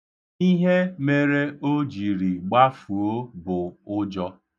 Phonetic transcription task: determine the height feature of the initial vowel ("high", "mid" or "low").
high